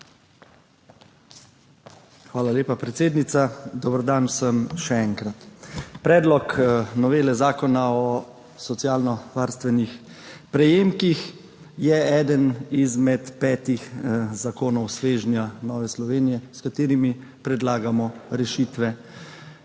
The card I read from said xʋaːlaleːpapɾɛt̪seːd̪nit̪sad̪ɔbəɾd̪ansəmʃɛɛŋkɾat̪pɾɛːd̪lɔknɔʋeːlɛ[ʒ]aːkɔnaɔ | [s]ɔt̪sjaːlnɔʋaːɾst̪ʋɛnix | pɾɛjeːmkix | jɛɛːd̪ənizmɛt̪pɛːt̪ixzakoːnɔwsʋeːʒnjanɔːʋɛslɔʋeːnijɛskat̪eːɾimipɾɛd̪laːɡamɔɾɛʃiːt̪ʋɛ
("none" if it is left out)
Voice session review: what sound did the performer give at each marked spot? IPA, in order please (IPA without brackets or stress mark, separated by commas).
z, s